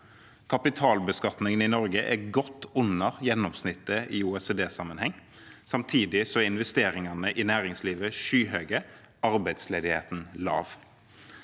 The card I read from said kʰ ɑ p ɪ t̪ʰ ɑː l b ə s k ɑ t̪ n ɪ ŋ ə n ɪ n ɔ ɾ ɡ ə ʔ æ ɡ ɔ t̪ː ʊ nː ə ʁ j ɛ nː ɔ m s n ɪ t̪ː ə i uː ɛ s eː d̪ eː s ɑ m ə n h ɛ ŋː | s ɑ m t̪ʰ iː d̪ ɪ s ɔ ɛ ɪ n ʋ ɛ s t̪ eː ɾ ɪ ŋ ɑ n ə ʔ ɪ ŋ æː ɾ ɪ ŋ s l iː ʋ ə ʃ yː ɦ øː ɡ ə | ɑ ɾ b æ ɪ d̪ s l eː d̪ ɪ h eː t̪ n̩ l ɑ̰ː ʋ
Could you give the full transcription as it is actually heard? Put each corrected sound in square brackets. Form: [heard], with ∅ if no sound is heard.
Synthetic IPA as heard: kʰ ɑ p ɪ t̪ʰ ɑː l b ə s k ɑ t̪ n ɪ ŋ ə n ɪ n ɔ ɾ ɡ ə ʔ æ ɡ ɔ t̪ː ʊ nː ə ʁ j ɛ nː ɔ m s n ɪ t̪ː ə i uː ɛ s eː d̪ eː s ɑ m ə n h ɛ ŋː | s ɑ m t̪ʰ iː d̪ ɪ s ɔ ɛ ɪ n ʋ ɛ s t̪ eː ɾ ɪ ŋ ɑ n ə ʔ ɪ [n] æː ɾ ɪ ŋ s l iː ʋ ə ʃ yː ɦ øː ɡ ə | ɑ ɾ b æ ɪ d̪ s l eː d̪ ɪ h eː t̪ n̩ l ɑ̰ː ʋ